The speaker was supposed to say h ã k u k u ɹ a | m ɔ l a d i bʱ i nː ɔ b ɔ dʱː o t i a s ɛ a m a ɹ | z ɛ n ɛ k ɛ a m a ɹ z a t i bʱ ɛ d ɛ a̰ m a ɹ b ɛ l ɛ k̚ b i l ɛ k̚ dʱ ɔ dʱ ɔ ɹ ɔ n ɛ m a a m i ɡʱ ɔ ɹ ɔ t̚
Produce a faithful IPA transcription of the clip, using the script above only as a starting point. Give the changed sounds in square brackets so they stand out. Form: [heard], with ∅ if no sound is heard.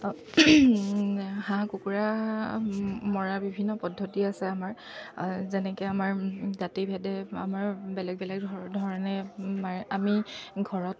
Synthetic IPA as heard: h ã k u k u ɹ a | m ɔ [ɹ] a [b] i bʱ i nː ɔ [p] ɔ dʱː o t i a s ɛ a m a ɹ | z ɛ n ɛ k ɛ a m a ɹ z a t i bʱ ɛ d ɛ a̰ m a ɹ b ɛ l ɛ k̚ b [ɛ] l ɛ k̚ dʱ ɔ dʱ ɔ ɹ ɔ n ɛ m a a m i ɡʱ ɔ ɹ ɔ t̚